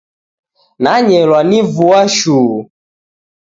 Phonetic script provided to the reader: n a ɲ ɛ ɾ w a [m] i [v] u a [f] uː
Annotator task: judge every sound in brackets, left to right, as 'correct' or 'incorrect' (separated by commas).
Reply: incorrect, correct, incorrect